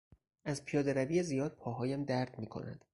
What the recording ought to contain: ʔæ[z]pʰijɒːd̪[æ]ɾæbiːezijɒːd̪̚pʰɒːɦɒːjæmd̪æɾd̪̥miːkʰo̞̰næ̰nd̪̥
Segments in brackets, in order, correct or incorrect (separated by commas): correct, incorrect